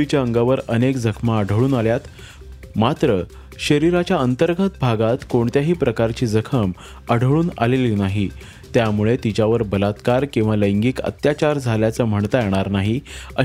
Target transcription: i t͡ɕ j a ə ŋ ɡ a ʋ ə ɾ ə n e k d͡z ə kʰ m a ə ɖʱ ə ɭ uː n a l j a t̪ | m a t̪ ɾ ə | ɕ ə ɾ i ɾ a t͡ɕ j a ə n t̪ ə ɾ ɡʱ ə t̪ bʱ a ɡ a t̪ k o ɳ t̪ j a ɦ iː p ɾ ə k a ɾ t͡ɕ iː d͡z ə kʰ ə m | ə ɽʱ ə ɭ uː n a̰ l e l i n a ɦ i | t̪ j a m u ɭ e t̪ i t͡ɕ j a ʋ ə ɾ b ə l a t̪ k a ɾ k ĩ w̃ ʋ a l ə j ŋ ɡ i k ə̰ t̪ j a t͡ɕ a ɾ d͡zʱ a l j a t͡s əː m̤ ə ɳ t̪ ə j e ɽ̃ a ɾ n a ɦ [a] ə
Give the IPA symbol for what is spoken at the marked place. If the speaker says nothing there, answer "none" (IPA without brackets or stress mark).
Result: i